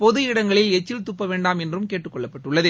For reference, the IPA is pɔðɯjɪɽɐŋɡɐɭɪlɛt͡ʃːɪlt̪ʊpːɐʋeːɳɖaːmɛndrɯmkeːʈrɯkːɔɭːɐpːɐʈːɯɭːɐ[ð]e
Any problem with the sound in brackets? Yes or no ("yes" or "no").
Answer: no